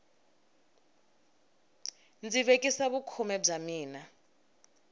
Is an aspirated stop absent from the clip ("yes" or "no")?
no